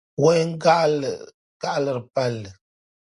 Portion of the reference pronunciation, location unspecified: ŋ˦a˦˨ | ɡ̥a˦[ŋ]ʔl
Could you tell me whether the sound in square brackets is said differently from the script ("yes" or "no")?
yes